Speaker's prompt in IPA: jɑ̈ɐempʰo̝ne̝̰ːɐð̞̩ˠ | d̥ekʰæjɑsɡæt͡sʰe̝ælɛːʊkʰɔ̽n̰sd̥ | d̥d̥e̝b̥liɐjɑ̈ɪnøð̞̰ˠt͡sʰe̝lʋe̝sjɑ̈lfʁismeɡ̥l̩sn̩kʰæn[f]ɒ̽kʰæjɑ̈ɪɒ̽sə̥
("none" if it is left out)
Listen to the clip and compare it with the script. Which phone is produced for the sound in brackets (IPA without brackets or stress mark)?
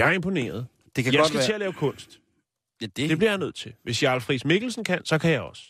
s